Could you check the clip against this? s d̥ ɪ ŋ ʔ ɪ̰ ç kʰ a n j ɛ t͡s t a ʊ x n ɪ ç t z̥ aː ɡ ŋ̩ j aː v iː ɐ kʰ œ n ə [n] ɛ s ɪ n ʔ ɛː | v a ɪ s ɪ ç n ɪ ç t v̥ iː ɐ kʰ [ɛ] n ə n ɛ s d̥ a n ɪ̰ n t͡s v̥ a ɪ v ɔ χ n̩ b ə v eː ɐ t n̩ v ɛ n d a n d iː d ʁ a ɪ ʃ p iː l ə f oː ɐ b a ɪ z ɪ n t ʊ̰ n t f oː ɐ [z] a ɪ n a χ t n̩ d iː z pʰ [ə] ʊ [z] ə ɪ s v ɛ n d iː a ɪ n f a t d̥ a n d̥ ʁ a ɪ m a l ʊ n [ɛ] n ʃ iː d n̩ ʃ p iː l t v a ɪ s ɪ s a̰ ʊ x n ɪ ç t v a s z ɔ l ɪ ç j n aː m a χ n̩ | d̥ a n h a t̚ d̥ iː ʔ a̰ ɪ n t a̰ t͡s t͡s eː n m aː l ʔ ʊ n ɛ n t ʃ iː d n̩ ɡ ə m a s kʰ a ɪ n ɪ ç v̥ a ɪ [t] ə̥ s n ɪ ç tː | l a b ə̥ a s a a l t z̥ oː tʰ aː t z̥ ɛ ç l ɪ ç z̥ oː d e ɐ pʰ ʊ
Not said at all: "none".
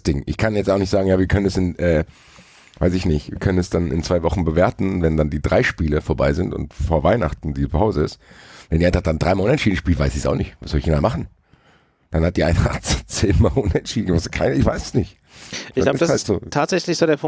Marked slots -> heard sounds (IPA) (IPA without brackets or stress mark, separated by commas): n, œ, v, a, z, ɛ, s